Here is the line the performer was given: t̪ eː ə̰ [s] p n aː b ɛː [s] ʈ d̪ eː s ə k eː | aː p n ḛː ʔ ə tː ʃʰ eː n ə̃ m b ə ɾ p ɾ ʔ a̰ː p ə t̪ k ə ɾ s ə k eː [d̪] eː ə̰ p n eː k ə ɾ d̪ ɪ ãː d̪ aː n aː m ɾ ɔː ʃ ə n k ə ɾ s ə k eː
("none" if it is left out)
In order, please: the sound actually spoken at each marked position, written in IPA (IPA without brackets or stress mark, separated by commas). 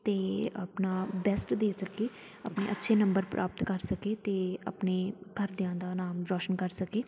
none, s, t̪